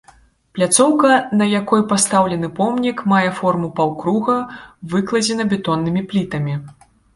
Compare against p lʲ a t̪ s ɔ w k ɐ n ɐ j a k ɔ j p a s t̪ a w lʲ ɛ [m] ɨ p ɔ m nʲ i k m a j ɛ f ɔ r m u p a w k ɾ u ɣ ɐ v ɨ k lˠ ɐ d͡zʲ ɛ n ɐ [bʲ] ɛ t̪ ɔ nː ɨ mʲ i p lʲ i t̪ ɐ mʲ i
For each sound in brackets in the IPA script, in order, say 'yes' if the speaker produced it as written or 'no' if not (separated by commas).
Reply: no, yes